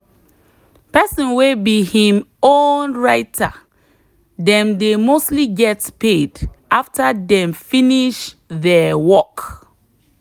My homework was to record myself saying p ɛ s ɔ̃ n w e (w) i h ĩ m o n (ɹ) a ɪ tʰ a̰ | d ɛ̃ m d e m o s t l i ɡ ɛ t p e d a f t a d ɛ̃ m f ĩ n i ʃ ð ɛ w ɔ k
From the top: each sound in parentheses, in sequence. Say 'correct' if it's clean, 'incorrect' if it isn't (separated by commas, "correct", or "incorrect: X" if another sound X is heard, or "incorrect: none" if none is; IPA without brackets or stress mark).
incorrect: b, correct